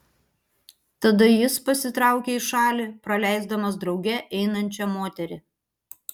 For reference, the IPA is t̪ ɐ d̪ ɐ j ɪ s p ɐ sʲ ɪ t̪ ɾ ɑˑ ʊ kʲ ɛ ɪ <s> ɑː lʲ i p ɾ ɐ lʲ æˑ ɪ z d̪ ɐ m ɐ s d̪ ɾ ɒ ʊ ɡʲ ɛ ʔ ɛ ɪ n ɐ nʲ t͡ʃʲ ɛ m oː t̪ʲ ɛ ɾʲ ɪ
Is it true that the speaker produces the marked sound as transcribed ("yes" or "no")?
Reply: no